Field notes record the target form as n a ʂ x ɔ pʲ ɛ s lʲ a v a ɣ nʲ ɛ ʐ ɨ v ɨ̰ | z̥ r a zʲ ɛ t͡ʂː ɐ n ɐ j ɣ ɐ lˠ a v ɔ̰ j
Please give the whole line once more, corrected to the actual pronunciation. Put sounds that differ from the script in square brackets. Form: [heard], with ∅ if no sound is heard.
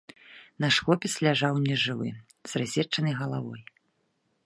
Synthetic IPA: n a ʂ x ɔ pʲ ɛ s lʲ a [ʐ] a [w] nʲ ɛ ʐ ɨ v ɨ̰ | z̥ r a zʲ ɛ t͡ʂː ɐ n ɐ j ɣ ɐ lˠ a v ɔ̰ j